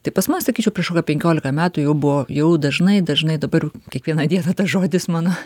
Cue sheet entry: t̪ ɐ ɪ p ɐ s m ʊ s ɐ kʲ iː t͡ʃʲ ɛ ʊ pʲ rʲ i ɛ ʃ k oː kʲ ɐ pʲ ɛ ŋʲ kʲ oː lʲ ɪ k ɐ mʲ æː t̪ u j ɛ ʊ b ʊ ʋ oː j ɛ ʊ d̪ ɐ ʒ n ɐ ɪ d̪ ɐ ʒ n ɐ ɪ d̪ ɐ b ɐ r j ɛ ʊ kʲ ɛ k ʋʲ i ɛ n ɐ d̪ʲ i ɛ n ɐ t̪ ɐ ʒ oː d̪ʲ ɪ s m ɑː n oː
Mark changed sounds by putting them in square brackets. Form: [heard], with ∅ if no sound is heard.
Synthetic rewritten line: t̪ ɐ ɪ p ɐ s m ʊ s ɐ kʲ iː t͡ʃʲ ɛ ʊ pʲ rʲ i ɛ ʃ k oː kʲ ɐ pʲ ɛ ŋʲ kʲ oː lʲ ɪ k ɐ mʲ æː t̪ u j ɛ ʊ b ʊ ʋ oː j ɛ ʊ d̪ ɐ ʒ n ɐ ɪ d̪ ɐ ʒ n ɐ ɪ d̪ ɐ b ɐ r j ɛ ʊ kʲ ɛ k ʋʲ i ɛ n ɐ d̪ʲ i ɛ n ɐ t̪ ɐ ʒ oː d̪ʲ ɪ s m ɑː n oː